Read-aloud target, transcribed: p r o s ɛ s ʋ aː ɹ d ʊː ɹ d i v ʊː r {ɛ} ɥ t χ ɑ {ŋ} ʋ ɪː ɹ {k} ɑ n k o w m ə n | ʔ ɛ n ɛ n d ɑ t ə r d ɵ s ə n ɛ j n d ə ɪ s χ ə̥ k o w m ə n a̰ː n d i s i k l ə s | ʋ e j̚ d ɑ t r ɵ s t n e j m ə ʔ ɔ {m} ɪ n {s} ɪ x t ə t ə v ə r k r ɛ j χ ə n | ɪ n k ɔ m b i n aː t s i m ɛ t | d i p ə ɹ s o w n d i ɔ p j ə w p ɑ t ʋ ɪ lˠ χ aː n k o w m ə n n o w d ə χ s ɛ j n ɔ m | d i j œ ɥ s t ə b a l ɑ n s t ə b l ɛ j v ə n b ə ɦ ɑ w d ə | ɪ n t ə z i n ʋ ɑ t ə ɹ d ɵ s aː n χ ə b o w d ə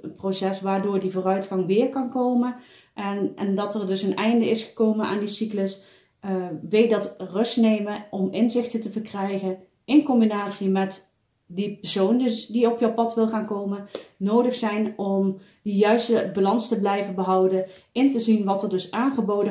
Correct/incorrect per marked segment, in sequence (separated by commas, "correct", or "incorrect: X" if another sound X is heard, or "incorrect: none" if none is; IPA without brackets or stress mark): incorrect: œ, correct, correct, correct, incorrect: z